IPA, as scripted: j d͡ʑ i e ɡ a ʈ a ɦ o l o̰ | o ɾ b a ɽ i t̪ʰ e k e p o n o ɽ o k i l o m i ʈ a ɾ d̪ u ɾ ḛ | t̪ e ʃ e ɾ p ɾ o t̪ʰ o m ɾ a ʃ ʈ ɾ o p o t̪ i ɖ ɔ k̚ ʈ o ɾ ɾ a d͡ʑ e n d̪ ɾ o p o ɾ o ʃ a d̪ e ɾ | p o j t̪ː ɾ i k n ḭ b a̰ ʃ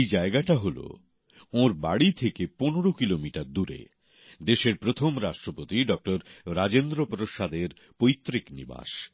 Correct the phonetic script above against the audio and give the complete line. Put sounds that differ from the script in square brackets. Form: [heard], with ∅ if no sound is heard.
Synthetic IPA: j d͡ʑ [a] e ɡ a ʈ a ɦ o l o̰ | o ɾ b a ɽ i t̪ʰ e k e p o n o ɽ o k i l o m i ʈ a ɾ d̪ u ɾ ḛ | [d̪] e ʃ e ɾ p ɾ o t̪ʰ o m ɾ a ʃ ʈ ɾ o p o t̪ i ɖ ɔ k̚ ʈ o ɾ ɾ a d͡ʑ e n d̪ ɾ o p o ɾ o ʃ a d̪ e ɾ | p o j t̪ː ɾ i k n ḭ b a̰ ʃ